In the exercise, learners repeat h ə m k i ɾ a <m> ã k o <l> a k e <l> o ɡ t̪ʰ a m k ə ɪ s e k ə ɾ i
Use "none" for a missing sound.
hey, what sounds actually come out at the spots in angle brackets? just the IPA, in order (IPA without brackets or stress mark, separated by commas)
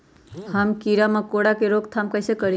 m, ɽ, ɾ